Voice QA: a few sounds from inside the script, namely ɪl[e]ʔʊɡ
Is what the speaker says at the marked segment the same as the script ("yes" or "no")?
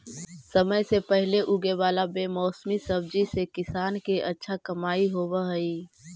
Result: yes